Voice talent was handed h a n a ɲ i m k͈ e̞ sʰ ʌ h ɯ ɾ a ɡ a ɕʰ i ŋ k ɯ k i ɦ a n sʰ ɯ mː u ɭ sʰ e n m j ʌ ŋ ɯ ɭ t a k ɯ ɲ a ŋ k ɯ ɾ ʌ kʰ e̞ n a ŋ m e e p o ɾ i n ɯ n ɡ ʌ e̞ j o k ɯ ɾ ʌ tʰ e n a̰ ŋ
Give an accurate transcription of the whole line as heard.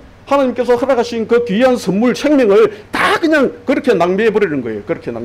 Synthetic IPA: h a n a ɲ i m k͈ e̞ sʰ ʌ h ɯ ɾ a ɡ a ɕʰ i n k ɯ k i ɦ a n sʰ ɯ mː u ɭ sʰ e ŋ m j ʌ ŋ ɯ ɭ t a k ɯ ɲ a ŋ k ɯ ɾ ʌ kʰ e̞ n a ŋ m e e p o ɾ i n ɯ n ɡ ʌ e̞ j o k ɯ ɾ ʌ kʰ e n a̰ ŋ